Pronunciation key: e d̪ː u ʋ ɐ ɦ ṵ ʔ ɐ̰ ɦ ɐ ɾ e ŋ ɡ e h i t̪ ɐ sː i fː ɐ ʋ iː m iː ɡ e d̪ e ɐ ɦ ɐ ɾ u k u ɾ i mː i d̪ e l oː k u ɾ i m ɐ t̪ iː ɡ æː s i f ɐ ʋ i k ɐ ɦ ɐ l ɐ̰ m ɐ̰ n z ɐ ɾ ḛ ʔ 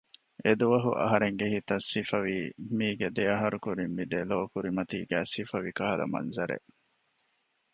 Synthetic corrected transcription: e d̪ u ʋ ɐ ɦ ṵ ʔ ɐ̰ ɦ ɐ ɾ e ŋ ɡ e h i t̪ ɐ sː i f ɐ ʋ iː m iː ɡ e d̪ e ɐ ɦ ɐ ɾ u k u ɾ i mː i d̪ e l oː k u ɾ i m ɐ t̪ iː ɡ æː s i f ɐ ʋ i k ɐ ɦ ɐ l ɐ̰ m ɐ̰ n z ɐ ɾ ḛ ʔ